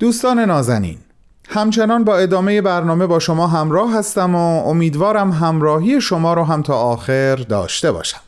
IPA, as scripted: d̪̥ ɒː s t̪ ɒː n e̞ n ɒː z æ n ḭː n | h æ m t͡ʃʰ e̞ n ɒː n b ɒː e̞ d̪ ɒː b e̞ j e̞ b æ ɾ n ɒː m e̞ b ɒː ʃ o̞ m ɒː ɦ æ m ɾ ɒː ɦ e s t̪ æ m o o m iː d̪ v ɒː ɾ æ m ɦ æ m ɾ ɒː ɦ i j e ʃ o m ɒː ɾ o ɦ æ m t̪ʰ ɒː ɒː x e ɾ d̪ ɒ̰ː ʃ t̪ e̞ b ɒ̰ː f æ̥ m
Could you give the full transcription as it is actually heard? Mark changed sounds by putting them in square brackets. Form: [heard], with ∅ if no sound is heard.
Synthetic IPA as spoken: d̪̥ [uː] s t̪ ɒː n e̞ n ɒː z æ n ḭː n | h æ m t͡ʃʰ e̞ n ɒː n b ɒː e̞ d̪ ɒː [m] e̞ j e̞ b æ ɾ n ɒː m e̞ b ɒː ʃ o̞ m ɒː ɦ æ m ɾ ɒː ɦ [æ] s t̪ æ m o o m iː d̪ v ɒː ɾ æ m ɦ æ m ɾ ɒː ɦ i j e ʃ o m ɒː ɾ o ɦ æ m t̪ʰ ɒː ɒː x e ɾ d̪ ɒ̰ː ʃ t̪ e̞ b ɒ̰ː [ʃ] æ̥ m